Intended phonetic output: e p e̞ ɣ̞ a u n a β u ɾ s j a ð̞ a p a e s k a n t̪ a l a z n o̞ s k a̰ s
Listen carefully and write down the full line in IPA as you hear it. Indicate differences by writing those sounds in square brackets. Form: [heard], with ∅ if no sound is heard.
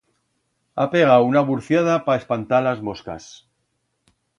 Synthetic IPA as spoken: [a] p e̞ ɣ̞ a u n a β u ɾ [θ] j a ð̞ a p a e s [p] a n t̪ a l a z [m] o̞ s k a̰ s